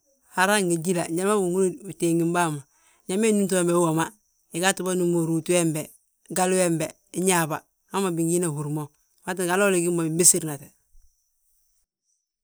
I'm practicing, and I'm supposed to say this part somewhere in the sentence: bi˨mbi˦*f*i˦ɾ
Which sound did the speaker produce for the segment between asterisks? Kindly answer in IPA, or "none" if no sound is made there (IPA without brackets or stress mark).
s